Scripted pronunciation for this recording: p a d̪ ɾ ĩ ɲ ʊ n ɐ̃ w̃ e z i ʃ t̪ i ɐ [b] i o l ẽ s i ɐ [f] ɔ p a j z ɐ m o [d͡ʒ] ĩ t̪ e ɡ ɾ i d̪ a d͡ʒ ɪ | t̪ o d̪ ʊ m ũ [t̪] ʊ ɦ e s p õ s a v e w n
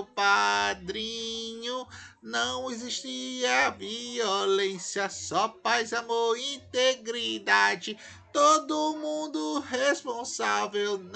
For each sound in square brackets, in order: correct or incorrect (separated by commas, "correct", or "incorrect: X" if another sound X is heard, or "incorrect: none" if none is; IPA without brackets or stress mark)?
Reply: incorrect: v, incorrect: s, incorrect: none, incorrect: d̪